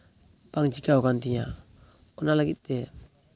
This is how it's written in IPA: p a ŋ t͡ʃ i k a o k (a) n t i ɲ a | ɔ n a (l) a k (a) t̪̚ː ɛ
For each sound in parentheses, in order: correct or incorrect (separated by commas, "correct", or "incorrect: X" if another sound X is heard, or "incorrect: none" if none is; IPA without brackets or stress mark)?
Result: correct, correct, incorrect: i